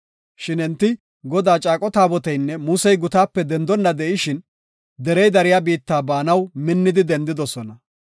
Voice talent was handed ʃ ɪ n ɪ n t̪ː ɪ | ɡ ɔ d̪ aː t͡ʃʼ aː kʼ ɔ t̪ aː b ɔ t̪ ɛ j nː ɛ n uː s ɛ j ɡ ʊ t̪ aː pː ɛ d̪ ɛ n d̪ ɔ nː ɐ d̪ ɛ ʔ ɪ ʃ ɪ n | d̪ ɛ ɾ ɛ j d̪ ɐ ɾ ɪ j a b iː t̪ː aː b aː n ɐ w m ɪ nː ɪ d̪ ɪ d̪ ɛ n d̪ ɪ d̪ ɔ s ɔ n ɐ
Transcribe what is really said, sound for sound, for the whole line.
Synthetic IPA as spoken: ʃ ɪ n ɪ n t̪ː ɪ | ɡ ɔ d̪ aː t͡ʃʼ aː kʼ ɔ t̪ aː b ɔ t̪ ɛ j nː ɛ m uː s ɛ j ɡ ʊ t̪ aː pː ɛ d̪ ɛ n d̪ ɔ nː ɐ d̪ ɛ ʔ ɪ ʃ ɪ n | d̪ ɛ ɾ ɛ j d̪ ɐ ɾ ɪ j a b iː t̪ː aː b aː n ɐ w m ɪ nː ɪ d̪ ɪ d̪ ɛ n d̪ ɪ d̪ ɔ s ɔ n ɐ